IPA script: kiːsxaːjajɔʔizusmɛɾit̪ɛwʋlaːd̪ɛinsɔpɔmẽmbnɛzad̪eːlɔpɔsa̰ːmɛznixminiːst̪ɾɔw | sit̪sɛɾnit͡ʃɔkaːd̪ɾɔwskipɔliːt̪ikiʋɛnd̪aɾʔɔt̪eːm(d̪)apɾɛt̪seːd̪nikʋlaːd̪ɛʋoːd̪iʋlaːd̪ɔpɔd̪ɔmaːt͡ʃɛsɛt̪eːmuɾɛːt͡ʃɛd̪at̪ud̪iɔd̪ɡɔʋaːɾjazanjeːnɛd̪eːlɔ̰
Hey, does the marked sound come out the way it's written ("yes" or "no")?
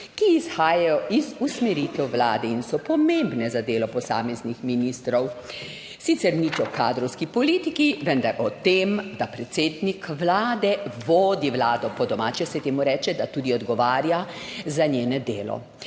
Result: yes